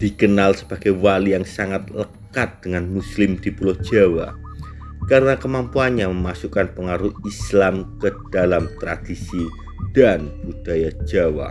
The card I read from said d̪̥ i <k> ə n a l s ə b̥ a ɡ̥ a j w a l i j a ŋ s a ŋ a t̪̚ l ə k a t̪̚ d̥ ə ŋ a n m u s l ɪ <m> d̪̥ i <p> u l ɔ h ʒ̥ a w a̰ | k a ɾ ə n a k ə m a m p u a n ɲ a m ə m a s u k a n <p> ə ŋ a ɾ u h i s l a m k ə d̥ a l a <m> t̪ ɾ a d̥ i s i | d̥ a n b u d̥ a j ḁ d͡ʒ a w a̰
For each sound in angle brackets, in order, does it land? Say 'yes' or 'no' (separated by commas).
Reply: yes, yes, yes, yes, yes